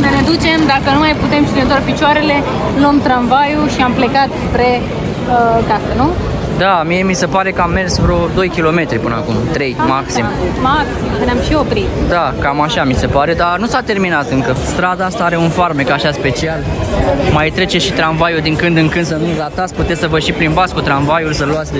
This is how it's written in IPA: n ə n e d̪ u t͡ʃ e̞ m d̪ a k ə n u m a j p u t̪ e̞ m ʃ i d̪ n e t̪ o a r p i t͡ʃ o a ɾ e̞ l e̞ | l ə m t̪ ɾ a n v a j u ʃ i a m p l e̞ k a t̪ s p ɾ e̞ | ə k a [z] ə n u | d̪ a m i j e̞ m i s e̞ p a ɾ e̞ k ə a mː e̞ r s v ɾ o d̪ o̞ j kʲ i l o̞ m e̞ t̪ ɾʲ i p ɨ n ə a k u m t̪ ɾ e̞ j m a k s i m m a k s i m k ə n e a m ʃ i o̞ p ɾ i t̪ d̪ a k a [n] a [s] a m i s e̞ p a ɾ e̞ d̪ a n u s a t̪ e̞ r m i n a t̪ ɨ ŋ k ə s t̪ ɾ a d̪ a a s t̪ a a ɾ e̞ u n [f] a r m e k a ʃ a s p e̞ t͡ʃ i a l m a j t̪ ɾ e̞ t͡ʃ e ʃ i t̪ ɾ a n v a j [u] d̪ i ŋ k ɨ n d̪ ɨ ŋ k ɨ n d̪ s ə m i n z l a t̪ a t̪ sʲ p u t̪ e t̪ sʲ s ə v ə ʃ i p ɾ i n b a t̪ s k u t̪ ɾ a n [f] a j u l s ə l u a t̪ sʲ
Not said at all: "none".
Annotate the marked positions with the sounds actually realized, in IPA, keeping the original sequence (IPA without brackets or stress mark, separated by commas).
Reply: s, m, ʃ, f, u, v